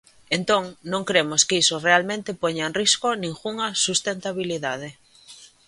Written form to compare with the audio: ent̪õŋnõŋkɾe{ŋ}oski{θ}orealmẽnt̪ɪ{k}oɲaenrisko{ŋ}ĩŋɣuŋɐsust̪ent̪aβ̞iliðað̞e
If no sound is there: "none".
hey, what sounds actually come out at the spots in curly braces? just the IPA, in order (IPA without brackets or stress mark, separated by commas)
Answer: m, s, p, n